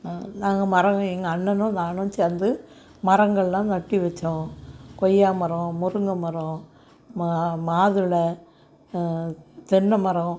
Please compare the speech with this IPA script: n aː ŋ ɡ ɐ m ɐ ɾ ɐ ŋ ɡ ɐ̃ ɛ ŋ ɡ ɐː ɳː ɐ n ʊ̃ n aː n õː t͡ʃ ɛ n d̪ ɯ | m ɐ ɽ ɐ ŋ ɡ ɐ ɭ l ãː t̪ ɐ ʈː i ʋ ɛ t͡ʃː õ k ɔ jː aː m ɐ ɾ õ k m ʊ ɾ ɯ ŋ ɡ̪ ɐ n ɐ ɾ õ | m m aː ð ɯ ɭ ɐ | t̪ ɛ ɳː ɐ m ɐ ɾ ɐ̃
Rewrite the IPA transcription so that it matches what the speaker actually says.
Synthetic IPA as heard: n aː ŋ ɡ ɐ m ɐ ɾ ɐ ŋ ɡ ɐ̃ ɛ ŋ ɡ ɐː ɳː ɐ n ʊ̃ n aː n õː t͡ʃ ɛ n d̪ ɯ | m ɐ ɾ ɐ ŋ ɡ ɐ ɭ l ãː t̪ ɐ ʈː i ʋ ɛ t͡ʃː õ k ɔ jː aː m ɐ ɾ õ m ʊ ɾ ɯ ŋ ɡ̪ ɐ m ɐ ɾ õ | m m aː ð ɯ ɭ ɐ | t̪ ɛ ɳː ɐ m ɐ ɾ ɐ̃